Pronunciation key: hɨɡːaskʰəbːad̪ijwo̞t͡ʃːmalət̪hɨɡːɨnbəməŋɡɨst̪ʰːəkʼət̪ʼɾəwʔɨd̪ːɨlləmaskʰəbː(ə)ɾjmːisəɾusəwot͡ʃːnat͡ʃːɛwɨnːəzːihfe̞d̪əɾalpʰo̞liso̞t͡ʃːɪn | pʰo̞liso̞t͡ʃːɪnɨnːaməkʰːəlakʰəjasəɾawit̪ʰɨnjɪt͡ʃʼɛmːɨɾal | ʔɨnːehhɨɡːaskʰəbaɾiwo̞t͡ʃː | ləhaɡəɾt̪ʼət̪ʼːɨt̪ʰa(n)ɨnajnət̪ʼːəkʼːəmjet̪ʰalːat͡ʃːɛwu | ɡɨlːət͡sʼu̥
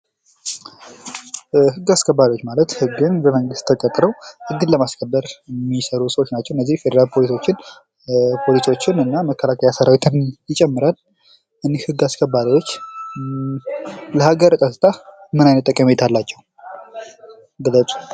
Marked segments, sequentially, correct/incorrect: correct, incorrect: m

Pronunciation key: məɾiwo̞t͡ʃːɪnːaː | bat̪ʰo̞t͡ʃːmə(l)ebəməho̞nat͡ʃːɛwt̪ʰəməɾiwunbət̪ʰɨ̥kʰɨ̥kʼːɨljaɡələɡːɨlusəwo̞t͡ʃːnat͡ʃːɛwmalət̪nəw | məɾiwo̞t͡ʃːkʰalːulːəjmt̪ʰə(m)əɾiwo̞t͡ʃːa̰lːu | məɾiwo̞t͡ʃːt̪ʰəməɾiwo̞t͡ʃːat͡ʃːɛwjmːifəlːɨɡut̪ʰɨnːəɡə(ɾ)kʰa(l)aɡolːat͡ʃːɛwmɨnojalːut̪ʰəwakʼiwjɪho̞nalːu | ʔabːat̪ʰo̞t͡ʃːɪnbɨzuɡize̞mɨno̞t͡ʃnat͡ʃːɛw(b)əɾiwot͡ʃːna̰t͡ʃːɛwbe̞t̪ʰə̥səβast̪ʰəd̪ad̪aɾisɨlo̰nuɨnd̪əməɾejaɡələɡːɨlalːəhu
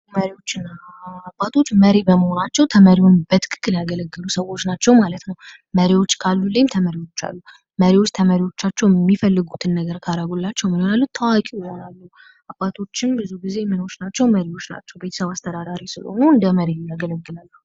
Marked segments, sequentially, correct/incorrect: incorrect: ɾ, correct, correct, incorrect: ɾ, incorrect: m

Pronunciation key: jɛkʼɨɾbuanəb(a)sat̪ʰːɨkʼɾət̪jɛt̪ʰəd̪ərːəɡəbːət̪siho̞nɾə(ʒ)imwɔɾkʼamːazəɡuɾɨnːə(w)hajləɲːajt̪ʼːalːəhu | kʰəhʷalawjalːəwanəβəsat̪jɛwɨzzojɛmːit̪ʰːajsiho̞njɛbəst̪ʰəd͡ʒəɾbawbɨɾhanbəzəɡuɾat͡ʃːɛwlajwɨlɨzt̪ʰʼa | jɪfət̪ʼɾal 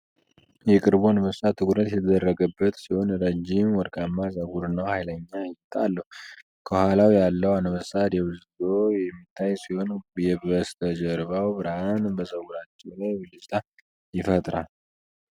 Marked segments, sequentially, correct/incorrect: incorrect: ə, incorrect: d͡ʒ, correct

